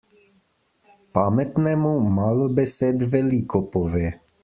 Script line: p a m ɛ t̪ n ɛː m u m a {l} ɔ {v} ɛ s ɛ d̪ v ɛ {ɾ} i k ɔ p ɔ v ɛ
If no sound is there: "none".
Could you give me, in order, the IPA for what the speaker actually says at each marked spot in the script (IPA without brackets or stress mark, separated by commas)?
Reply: l, b, l